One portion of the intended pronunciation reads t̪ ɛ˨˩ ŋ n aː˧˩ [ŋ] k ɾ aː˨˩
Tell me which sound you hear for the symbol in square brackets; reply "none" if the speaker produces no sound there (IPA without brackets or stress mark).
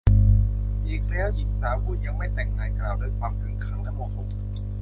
ŋ